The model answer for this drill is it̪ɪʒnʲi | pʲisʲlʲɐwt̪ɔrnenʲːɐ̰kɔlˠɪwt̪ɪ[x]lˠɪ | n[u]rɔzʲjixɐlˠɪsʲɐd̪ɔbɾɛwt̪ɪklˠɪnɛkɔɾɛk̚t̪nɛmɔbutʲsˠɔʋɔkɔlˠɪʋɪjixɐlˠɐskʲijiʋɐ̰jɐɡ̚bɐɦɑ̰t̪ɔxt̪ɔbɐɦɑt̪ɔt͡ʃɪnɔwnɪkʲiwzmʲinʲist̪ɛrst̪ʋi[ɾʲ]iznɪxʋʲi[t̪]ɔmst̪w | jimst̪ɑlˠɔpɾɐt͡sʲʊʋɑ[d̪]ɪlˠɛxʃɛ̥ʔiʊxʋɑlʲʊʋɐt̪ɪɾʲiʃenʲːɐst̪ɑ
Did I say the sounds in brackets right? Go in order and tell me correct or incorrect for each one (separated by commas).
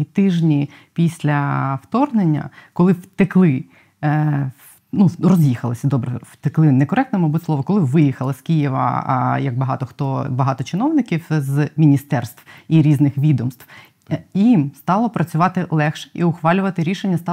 incorrect, correct, correct, incorrect, incorrect